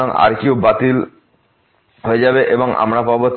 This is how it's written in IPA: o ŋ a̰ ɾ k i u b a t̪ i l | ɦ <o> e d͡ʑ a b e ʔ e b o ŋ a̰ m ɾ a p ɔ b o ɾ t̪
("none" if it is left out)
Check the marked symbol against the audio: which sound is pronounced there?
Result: o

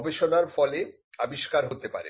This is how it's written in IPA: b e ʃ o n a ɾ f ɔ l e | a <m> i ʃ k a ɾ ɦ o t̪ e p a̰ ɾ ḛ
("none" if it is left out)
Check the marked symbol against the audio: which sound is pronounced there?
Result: b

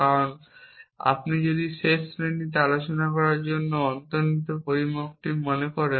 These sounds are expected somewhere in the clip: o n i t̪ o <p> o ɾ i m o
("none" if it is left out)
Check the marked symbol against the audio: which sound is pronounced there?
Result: p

